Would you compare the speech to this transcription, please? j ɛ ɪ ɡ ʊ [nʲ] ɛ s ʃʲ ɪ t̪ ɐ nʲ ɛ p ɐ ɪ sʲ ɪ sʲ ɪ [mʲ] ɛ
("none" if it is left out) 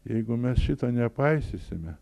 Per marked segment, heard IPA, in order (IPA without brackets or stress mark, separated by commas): mʲ, mʲ